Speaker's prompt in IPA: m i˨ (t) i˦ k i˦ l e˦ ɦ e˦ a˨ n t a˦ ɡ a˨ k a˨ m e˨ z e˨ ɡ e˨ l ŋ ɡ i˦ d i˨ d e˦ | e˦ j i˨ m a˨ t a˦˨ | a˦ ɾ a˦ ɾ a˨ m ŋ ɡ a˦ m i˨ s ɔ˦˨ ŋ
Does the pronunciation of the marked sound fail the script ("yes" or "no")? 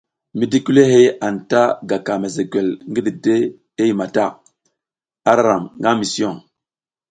yes